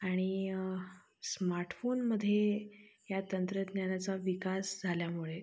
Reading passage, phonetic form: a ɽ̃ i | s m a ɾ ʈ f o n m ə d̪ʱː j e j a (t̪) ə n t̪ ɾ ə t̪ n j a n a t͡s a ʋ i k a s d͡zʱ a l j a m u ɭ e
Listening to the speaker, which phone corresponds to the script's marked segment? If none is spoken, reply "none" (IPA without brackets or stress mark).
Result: t̪